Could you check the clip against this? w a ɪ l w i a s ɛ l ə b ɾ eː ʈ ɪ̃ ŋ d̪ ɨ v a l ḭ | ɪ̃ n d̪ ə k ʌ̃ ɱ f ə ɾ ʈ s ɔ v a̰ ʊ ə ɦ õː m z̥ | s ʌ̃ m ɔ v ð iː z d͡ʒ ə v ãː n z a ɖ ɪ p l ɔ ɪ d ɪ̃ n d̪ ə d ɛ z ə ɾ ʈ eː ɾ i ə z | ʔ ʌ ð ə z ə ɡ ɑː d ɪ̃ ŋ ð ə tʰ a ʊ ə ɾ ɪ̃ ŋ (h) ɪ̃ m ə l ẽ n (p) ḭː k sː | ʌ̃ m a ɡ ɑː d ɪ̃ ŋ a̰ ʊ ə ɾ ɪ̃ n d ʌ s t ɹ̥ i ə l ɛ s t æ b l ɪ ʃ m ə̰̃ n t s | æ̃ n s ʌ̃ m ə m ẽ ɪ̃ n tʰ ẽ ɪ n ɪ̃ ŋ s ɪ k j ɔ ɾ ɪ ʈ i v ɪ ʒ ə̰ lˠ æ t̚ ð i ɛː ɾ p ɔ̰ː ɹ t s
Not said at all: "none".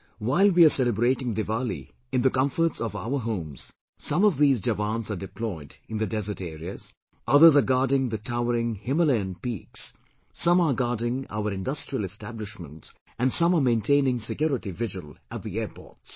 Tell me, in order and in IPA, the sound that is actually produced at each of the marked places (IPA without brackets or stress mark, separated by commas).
h, p